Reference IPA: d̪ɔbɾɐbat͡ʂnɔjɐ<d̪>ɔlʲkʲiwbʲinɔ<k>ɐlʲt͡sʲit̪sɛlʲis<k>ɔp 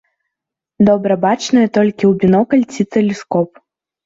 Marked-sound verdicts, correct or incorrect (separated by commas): incorrect, correct, correct